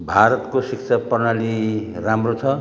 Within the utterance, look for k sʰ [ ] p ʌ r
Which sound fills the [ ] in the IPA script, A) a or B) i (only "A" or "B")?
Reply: A